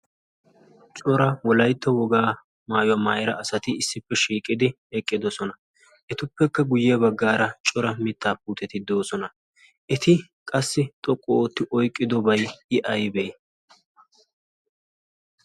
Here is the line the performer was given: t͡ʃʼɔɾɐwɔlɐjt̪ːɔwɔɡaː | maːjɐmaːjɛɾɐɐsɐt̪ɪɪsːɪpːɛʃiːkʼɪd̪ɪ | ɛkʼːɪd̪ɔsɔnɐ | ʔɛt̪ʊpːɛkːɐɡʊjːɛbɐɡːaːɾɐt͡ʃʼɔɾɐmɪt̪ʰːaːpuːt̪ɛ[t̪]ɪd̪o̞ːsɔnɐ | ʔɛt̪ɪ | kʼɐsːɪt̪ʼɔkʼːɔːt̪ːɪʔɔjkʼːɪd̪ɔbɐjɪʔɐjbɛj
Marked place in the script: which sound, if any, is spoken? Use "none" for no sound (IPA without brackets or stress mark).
t̪